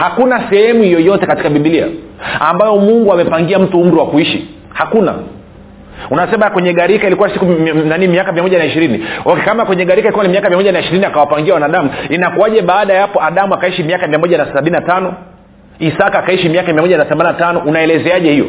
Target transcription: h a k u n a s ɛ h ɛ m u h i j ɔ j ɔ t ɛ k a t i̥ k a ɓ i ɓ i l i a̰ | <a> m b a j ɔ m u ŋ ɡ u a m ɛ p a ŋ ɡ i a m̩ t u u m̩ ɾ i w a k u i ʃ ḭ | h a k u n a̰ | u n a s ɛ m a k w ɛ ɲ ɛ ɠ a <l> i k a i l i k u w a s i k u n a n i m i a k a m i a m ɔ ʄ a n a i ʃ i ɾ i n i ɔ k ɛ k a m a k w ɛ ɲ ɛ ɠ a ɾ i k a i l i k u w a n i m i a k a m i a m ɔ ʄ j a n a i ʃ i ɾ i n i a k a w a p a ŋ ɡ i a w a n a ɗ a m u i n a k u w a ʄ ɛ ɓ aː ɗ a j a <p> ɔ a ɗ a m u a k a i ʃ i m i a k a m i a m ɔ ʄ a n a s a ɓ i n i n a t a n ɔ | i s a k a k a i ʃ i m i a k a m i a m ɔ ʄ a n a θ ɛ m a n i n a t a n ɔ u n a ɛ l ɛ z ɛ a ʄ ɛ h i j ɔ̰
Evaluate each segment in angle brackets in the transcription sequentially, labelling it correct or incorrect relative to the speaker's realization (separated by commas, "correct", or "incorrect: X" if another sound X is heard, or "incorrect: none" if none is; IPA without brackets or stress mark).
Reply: correct, incorrect: ɾ, correct